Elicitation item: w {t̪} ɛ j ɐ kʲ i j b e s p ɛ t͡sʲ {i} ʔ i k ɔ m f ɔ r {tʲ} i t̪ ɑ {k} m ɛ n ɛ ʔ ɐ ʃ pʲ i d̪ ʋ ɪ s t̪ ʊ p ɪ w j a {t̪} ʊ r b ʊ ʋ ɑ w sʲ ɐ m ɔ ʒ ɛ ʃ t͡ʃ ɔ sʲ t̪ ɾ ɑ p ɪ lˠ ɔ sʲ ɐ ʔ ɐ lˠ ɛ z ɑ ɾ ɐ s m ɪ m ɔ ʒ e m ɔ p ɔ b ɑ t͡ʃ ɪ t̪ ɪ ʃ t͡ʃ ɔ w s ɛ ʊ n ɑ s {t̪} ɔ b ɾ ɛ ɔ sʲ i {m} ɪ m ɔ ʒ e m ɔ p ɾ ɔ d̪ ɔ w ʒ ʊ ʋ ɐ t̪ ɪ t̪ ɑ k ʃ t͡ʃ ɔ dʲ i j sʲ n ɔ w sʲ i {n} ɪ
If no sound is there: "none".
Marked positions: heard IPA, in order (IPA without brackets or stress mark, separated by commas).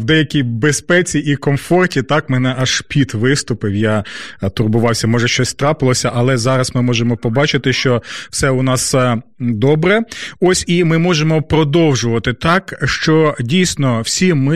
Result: d̪, i, tʲ, k, t̪, d̪, m, m